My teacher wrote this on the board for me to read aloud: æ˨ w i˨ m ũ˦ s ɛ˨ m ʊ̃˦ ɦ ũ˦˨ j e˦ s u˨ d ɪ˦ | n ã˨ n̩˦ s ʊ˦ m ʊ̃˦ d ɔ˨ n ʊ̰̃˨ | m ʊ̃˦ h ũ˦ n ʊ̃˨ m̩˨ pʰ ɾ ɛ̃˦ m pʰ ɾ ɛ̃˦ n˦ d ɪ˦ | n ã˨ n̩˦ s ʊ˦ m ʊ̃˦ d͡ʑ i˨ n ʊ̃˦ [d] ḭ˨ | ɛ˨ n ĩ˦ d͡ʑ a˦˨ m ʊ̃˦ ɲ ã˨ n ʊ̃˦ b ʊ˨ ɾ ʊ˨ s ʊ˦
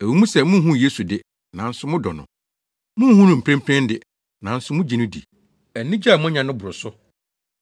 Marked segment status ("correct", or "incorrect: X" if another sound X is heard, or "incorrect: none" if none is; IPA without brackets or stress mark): correct